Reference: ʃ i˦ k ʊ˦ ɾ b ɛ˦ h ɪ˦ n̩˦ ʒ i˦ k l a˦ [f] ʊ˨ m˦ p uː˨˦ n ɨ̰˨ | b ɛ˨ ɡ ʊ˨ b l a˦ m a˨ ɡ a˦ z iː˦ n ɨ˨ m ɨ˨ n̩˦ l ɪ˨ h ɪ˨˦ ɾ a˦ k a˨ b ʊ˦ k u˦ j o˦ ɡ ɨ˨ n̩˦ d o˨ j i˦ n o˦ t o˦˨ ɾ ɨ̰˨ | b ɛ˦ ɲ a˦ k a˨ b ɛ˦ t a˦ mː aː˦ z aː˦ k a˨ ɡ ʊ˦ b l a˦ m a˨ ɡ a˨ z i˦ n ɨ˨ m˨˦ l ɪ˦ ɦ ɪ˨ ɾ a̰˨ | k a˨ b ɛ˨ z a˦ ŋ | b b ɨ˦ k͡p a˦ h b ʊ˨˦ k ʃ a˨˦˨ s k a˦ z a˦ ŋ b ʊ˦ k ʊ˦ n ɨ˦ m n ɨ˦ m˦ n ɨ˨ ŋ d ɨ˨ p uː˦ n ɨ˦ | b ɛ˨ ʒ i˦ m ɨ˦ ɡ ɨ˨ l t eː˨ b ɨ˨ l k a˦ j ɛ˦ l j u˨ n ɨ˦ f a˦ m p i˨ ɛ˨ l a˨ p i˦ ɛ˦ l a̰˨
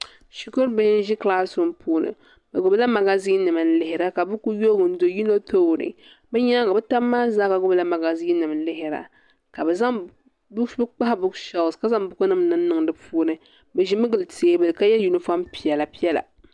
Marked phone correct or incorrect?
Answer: incorrect: s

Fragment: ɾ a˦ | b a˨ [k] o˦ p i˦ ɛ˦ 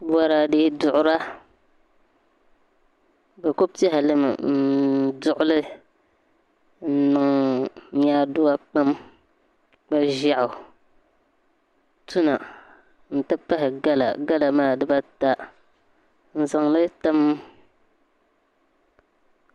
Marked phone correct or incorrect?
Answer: correct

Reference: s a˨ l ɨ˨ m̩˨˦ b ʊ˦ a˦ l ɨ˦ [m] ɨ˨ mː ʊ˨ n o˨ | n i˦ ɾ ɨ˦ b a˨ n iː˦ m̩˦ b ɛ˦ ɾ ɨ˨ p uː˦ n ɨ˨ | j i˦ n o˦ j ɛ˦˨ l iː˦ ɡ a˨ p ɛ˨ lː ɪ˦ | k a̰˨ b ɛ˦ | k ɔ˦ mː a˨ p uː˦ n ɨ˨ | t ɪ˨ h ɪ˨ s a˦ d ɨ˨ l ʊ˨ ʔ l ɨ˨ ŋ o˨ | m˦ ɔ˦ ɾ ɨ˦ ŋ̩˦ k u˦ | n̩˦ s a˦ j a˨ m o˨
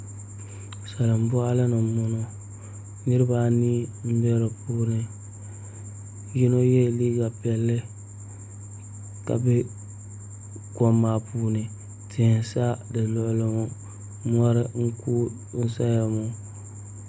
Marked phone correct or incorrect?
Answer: incorrect: n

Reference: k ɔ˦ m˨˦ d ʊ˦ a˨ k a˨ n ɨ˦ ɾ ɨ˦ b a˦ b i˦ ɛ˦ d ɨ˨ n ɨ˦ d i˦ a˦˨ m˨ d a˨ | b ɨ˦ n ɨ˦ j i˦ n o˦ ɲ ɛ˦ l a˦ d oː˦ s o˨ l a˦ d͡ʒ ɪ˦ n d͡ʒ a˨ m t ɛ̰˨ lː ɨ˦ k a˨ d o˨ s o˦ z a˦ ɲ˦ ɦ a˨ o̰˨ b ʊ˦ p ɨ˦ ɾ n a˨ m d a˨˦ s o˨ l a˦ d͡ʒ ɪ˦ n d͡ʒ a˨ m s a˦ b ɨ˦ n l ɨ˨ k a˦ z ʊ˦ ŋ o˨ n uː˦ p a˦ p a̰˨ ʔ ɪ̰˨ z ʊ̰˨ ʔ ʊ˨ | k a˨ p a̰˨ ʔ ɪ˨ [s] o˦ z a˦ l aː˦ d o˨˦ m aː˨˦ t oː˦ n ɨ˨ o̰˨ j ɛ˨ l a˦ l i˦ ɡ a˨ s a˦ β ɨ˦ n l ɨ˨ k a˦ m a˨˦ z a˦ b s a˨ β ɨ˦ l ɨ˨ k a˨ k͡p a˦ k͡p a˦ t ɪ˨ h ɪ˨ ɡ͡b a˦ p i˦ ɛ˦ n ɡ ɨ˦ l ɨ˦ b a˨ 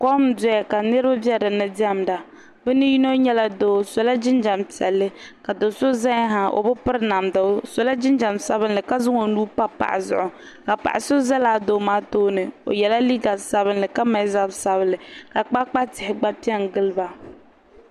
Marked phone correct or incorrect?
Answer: correct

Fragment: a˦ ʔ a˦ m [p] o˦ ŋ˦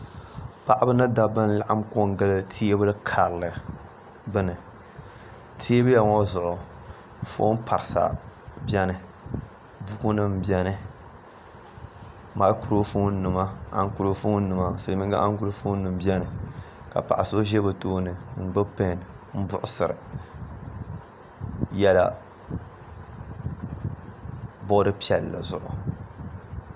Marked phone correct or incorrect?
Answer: incorrect: k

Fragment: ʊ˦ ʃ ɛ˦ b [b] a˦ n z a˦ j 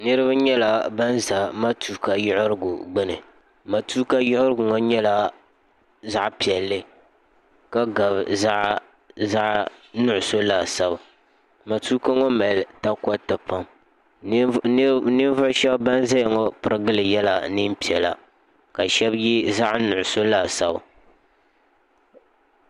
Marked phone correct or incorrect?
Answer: correct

